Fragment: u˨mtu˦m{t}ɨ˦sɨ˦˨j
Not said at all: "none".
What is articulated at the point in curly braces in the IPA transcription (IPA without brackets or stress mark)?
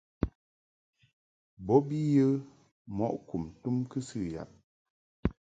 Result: k